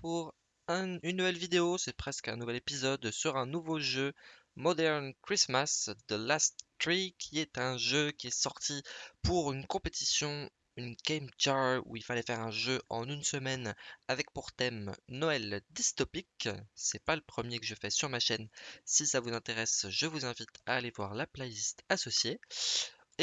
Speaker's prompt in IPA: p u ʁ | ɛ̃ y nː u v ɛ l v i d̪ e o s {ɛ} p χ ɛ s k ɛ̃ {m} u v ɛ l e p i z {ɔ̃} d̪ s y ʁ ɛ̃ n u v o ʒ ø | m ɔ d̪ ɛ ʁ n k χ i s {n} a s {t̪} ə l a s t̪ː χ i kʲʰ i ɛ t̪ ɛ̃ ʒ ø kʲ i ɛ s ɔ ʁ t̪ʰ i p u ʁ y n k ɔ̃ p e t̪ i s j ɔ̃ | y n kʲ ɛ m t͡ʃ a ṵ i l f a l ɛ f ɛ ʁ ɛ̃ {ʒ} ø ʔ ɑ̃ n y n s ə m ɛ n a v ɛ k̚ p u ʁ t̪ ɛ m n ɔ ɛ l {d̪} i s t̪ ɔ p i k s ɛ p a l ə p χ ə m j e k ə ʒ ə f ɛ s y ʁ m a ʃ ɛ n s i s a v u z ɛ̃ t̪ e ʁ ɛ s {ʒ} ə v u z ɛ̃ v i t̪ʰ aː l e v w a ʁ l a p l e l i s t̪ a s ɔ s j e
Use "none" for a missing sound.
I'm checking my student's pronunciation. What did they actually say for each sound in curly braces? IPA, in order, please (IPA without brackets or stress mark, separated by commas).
ɛ, n, ɔ, m, d̪, ʒ, d̪, ʒ